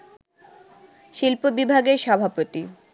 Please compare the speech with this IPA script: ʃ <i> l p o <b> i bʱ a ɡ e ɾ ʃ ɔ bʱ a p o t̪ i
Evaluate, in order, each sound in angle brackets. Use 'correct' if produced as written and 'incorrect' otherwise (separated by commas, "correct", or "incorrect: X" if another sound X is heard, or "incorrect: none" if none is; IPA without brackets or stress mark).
correct, correct